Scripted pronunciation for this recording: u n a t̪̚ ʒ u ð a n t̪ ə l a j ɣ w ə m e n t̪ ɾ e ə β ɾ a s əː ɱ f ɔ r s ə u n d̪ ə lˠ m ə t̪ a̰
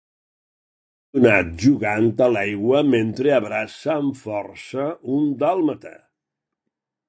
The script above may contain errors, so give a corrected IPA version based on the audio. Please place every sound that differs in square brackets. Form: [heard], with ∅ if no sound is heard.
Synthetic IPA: u n a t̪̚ ʒ u [ɣ] a n t̪ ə l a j ɣ w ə m e n t̪ ɾ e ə β ɾ a s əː ɱ f ɔ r s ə u n d̪ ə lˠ m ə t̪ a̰